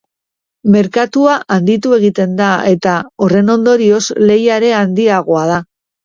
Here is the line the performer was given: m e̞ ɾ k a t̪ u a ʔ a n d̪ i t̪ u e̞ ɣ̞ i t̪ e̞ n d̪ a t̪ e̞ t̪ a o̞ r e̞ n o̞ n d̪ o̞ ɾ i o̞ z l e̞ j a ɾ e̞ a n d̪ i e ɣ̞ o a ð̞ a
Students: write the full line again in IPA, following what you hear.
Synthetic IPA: m e̞ ɾ k a t̪ u a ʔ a n d̪ i t̪ u e̞ ɣ̞ i t̪ e̞ n d̪ a e̞ t̪ a o̞ r e̞ n o̞ n d̪ o̞ ɾ i o̞ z l e̞ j a ɾ e̞ a n d̪ i a ɣ̞ o a ð̞ a